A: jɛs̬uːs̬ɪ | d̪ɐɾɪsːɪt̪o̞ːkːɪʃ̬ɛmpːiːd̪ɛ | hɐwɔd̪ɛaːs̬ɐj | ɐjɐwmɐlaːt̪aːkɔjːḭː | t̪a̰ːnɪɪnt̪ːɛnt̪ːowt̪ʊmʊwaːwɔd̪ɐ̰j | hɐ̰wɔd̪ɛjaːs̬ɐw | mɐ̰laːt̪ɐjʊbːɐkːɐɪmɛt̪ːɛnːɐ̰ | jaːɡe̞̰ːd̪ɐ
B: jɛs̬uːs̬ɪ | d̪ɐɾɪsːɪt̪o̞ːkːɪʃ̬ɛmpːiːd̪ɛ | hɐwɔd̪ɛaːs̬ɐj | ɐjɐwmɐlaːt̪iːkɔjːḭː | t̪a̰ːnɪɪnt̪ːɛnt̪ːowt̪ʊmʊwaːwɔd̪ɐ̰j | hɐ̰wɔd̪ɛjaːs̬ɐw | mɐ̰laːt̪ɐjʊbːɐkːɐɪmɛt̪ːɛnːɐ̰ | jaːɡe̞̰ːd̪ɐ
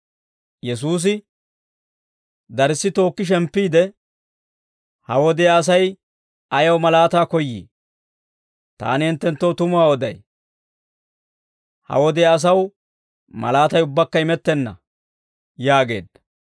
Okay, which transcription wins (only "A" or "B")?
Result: A